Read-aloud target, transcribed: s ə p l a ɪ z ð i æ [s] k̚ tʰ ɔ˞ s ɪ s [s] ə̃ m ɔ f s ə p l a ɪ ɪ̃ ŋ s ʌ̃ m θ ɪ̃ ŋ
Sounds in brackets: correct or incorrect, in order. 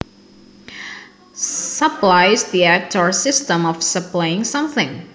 incorrect, incorrect

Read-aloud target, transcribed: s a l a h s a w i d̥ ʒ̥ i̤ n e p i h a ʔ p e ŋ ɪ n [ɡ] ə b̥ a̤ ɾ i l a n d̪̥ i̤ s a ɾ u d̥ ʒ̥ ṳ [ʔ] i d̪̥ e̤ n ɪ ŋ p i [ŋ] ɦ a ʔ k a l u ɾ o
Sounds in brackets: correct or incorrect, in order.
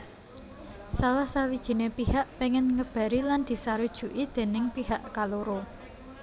incorrect, correct, incorrect

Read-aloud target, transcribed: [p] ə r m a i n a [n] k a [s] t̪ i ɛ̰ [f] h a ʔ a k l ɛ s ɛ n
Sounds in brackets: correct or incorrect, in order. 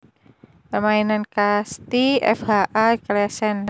correct, correct, correct, correct

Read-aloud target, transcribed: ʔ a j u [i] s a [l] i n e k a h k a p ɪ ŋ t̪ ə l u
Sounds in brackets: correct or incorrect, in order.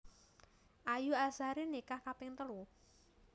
incorrect, incorrect

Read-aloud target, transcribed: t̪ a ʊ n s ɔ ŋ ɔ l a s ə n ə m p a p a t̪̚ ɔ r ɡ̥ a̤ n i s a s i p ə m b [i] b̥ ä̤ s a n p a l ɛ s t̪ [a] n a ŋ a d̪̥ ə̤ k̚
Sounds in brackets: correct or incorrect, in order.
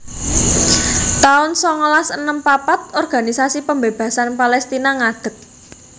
incorrect, incorrect

